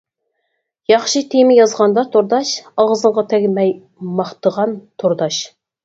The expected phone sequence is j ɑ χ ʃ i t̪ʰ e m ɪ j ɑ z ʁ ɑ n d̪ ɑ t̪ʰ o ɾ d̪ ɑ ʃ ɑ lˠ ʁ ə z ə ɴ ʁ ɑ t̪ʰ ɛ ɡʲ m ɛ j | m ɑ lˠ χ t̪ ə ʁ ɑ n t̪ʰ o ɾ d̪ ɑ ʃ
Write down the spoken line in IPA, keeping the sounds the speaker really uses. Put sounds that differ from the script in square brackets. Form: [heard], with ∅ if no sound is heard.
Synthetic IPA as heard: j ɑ χ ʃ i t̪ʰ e m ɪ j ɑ z ʁ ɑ n d̪ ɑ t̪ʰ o ɾ d̪ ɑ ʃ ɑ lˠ ʁ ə z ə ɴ ʁ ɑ t̪ʰ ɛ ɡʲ m ɛ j | m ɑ [∅] χ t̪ ə ʁ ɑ n t̪ʰ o ɾ d̪ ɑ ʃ